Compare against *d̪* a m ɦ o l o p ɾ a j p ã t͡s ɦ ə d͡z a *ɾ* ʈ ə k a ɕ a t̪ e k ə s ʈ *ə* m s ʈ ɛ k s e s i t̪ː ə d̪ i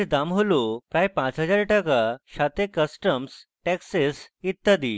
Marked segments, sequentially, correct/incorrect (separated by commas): correct, correct, correct